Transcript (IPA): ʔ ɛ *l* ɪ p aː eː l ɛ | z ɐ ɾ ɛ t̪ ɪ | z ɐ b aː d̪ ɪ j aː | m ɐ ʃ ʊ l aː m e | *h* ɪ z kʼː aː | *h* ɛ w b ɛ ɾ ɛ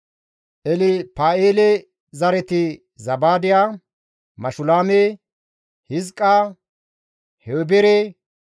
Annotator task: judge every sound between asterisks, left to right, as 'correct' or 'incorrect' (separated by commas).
correct, correct, correct